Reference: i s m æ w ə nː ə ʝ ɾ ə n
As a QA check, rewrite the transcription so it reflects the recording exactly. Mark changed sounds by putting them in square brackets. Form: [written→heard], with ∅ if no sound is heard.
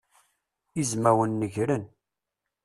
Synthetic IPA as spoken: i [s→z] m æ w ə nː ə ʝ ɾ ə n